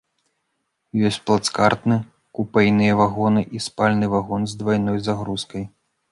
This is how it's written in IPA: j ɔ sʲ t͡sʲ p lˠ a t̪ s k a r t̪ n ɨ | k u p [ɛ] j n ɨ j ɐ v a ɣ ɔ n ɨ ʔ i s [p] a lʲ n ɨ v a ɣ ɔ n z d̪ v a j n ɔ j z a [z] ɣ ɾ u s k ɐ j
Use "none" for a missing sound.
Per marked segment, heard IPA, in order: ɛ, p, none

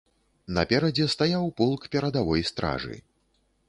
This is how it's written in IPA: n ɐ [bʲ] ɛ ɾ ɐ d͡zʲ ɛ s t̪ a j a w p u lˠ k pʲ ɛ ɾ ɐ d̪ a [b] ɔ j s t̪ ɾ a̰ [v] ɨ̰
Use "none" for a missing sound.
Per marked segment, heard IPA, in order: pʲ, v, ʐ

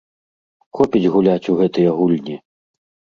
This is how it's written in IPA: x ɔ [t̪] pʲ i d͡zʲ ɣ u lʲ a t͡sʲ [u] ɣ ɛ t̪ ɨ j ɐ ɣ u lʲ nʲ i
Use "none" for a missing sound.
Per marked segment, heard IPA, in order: none, u

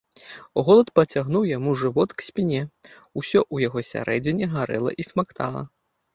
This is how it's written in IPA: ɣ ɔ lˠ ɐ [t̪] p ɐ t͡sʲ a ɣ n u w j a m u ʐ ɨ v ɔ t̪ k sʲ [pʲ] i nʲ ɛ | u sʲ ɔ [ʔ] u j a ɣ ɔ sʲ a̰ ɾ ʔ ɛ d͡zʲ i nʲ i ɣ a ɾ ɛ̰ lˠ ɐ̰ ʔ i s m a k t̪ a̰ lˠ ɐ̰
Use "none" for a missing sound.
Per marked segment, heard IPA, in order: t̪, pʲ, ʔ

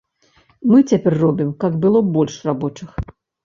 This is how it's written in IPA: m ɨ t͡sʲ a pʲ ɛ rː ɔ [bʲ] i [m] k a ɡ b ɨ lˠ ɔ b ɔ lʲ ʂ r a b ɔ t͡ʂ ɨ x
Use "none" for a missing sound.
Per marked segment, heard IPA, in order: bʲ, m

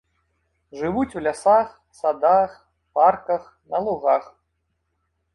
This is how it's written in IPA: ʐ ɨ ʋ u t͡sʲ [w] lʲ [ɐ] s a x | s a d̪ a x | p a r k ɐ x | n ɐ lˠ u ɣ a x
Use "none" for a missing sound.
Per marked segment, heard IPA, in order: w, a

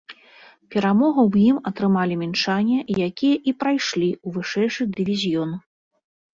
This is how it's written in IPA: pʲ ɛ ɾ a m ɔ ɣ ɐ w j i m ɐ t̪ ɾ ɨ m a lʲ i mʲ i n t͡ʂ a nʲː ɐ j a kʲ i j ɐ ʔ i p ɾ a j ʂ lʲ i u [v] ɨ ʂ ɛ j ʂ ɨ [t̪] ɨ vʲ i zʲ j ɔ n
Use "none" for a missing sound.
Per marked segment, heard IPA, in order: v, d̪

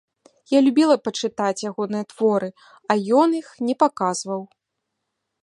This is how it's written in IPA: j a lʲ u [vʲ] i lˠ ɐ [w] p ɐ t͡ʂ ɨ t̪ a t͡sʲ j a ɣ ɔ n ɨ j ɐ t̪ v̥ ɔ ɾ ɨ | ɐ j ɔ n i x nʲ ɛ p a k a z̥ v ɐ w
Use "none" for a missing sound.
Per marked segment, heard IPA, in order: bʲ, none

